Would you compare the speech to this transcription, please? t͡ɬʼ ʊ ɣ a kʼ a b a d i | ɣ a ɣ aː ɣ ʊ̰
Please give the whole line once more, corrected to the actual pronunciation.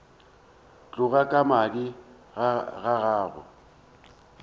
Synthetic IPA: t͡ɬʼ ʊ ɣ a kʼ a m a d i | ɣ a ɣ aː ɣ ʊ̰